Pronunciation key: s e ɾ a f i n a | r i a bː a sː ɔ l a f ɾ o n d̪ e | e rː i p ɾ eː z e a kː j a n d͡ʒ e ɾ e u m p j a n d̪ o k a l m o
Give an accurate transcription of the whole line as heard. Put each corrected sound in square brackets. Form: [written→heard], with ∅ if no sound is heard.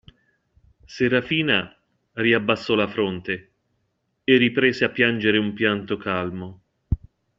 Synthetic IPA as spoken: s e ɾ a f [i→iː] n a | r i a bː a sː ɔ l a f ɾ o n [d̪→t̪] e | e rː i p ɾ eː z e a [kː→pː] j a n d͡ʒ e ɾ e u m p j a n [d̪→t̪] o k a l m o